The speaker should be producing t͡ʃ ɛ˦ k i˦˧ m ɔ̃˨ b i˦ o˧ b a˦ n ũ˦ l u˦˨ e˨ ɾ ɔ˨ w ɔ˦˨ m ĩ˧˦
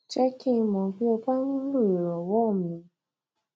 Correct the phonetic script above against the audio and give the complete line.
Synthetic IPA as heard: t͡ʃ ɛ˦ k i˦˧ m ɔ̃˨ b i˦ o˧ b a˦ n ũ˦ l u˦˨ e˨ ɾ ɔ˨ w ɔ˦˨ m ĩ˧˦